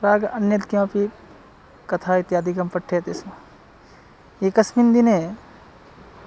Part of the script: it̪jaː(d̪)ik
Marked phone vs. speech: correct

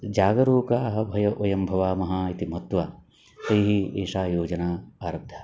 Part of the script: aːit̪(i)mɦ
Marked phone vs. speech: correct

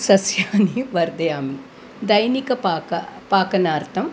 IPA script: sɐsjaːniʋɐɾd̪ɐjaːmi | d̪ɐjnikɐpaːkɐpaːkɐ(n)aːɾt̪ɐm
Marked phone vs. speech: correct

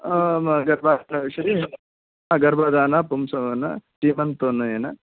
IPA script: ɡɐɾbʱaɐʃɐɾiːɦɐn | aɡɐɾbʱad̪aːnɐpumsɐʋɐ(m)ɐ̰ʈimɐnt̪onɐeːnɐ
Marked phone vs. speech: incorrect: n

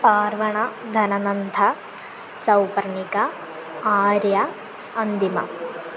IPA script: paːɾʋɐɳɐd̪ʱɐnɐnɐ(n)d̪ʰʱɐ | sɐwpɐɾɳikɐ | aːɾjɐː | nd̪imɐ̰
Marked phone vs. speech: correct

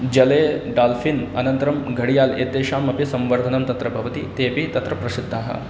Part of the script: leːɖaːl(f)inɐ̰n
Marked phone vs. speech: correct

